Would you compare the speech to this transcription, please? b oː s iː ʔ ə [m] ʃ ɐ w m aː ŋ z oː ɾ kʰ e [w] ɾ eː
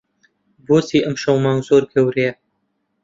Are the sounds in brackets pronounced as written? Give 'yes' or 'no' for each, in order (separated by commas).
yes, yes